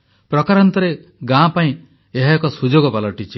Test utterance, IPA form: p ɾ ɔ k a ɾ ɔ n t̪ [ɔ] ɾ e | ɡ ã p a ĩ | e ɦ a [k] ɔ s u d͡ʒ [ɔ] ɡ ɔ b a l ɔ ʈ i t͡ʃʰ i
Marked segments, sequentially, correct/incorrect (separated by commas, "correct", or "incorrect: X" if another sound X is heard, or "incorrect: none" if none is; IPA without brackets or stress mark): correct, correct, incorrect: o